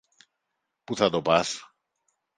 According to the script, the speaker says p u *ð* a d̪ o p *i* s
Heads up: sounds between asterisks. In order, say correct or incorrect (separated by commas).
incorrect, incorrect